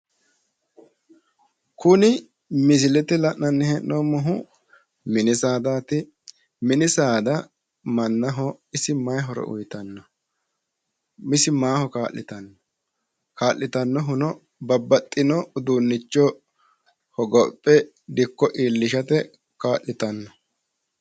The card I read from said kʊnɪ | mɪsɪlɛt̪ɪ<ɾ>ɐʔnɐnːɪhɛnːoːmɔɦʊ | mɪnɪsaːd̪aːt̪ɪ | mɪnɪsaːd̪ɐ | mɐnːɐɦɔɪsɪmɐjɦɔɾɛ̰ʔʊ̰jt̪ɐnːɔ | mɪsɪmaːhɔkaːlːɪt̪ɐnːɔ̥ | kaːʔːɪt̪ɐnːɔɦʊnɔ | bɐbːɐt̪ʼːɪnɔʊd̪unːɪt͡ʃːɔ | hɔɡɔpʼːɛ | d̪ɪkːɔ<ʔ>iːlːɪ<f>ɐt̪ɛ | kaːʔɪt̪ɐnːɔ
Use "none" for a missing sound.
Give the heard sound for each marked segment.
l, ʔ, ʃ

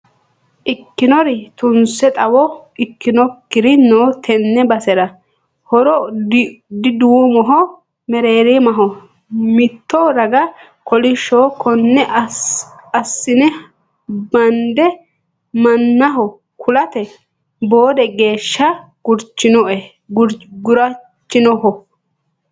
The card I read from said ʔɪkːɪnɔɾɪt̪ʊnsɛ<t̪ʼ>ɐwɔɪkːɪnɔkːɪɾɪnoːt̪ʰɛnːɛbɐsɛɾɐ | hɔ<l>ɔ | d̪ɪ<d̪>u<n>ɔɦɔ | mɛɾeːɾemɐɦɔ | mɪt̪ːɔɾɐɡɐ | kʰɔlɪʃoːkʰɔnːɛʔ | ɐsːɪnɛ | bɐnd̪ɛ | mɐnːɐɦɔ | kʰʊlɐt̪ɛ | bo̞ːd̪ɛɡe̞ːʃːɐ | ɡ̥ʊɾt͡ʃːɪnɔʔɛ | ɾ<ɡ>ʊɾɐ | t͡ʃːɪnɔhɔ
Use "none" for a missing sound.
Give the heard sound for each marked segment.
t̪ʼ, ɾ, d̪, m, ɡ

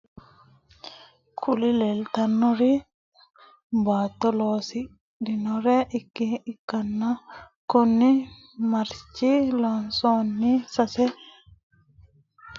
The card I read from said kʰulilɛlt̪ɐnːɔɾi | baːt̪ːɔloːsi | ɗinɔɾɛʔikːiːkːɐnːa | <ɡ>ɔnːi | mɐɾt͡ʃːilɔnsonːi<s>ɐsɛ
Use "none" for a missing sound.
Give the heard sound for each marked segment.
k, s

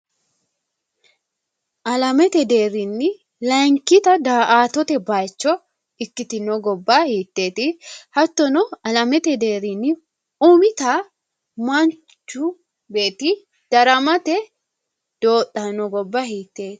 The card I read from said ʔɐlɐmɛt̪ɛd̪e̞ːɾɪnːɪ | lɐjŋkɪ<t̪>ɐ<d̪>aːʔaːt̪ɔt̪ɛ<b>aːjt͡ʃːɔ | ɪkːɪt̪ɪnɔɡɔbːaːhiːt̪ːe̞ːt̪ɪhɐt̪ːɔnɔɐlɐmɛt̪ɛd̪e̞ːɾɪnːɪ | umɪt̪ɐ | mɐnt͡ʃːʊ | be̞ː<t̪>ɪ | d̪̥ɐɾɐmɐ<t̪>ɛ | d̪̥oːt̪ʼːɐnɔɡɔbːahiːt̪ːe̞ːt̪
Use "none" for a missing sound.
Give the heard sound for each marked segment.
t̪, d̪, b, t̪, t̪

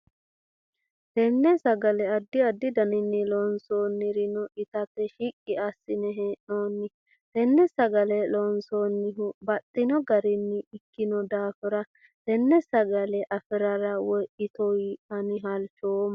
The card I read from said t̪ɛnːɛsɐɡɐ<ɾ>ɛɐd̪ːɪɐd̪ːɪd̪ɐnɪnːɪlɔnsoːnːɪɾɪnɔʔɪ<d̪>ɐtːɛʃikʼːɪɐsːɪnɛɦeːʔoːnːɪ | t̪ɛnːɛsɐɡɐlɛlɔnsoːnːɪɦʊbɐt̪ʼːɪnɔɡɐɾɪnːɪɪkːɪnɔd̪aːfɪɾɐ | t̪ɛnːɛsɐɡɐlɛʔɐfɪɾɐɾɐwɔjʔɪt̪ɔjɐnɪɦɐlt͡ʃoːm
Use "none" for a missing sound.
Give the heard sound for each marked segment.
l, t̪

